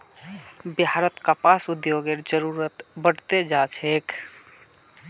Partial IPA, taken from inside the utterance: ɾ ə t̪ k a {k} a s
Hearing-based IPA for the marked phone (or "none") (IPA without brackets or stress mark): p